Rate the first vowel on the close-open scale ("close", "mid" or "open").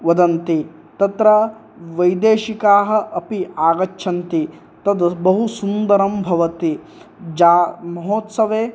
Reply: open